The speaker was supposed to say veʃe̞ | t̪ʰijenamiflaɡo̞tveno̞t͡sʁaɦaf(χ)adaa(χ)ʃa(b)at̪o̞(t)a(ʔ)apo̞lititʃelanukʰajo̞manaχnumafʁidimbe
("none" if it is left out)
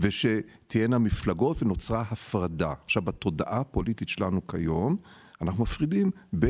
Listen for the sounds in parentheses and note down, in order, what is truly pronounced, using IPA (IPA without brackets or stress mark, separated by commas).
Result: ʁ, χ, v, d, ʔ